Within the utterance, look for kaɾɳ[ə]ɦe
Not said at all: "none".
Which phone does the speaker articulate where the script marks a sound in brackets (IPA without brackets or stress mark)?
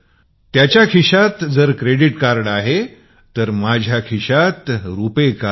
a